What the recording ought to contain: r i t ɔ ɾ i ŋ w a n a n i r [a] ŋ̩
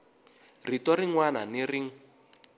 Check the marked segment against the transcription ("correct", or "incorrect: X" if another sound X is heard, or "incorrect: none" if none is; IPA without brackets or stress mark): incorrect: i